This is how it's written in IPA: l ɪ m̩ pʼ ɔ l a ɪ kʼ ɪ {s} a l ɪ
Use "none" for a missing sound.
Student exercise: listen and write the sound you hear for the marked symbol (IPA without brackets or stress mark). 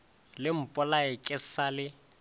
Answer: s